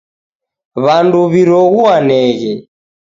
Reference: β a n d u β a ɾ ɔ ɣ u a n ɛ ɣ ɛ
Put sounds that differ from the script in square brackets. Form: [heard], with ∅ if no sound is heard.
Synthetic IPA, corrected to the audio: β a n d u β [i] ɾ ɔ ɣ u a n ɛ ɣ ɛ